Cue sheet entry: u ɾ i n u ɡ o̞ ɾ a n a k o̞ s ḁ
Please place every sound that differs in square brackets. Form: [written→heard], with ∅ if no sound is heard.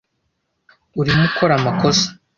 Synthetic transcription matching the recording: u ɾ i [n→m] u [ɡ→k] o̞ ɾ a [n→m] a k o̞ s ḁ